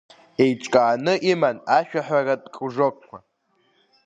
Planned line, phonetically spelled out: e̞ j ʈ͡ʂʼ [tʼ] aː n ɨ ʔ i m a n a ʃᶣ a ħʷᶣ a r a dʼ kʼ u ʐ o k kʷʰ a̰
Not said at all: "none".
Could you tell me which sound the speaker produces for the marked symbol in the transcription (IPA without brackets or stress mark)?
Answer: kʼ